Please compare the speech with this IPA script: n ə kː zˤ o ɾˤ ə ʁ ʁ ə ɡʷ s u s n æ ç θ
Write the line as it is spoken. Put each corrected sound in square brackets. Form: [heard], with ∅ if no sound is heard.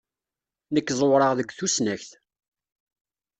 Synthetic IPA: n ə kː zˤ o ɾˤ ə ʁ [ð] ə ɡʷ [θ] u s n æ ç θ